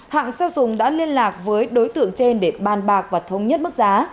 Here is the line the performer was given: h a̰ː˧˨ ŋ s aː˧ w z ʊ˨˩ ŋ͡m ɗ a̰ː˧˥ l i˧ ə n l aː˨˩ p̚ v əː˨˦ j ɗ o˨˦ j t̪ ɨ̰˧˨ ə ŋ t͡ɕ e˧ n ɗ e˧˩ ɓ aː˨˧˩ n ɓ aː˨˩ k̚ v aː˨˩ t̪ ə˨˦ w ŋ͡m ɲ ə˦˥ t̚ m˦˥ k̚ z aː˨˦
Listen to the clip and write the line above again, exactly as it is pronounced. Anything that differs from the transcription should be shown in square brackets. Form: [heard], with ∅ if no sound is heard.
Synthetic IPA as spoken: h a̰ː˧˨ ŋ s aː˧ w z ʊ˨˩ ŋ͡m ɗ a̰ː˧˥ l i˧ ə n l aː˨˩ [k̚] v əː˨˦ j ɗ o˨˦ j t̪ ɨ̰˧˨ ə ŋ t͡ɕ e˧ n ɗ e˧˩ ɓ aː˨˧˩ n ɓ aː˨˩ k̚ v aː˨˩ [t̪ʰ] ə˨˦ w ŋ͡m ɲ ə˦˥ t̚ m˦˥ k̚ z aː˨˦